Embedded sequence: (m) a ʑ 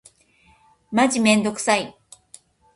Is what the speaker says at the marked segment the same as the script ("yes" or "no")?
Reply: yes